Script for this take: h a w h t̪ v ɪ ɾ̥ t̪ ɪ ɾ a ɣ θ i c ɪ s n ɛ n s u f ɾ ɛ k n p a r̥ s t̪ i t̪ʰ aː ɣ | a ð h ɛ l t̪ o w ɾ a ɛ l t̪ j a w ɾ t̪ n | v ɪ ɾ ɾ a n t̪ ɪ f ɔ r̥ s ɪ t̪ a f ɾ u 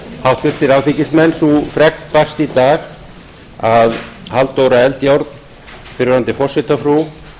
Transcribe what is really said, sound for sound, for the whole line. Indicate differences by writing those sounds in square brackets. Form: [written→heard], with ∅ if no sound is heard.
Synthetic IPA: h a w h t̪ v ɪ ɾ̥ t̪ ɪ ɾ a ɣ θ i c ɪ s [n→m] ɛ n s u f ɾ ɛ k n p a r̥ s t̪ i [t̪ʰ→t̪] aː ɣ | a ð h [ɛ→a] l t̪ o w ɾ a ɛ l t̪ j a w ɾ t̪ n | [v→f] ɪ ɾ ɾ a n t̪ ɪ f ɔ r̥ s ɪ t̪ a f ɾ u